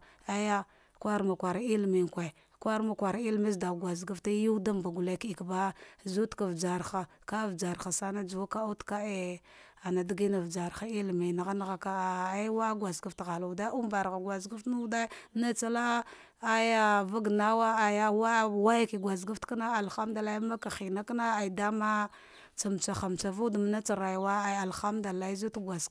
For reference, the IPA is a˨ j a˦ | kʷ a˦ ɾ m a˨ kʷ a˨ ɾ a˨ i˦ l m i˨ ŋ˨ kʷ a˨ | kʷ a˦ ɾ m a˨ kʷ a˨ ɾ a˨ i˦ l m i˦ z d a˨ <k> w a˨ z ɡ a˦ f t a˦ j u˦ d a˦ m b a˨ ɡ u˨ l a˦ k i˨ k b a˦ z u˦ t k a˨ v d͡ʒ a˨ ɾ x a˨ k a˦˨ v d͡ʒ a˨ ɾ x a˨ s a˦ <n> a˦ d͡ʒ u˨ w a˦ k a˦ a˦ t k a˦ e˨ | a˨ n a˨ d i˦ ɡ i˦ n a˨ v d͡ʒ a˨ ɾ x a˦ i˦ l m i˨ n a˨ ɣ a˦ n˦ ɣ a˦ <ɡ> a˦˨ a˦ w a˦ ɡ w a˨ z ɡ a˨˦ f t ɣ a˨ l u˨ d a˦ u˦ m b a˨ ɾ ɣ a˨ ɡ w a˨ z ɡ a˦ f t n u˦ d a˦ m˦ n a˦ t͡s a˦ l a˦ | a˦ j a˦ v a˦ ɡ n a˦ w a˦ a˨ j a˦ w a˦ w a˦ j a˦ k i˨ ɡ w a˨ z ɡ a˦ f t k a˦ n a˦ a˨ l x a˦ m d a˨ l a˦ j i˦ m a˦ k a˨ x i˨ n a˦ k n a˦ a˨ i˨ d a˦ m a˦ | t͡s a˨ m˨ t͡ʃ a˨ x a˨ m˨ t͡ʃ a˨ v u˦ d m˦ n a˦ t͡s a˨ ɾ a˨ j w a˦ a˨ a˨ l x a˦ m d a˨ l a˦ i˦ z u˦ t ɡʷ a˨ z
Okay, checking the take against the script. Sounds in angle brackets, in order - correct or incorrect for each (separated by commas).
incorrect, correct, incorrect